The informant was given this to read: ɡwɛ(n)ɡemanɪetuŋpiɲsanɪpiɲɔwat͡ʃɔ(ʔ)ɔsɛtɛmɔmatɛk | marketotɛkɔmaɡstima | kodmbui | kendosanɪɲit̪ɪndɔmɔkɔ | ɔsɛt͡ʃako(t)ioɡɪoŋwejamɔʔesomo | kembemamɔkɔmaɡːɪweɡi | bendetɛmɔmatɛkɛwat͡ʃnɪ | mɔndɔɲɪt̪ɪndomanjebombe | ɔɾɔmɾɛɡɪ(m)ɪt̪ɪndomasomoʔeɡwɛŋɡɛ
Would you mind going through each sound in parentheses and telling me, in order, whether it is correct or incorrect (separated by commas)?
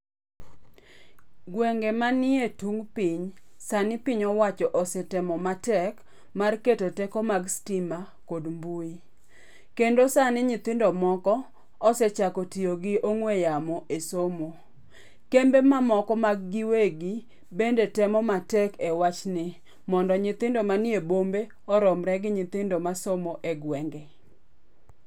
incorrect, correct, correct, incorrect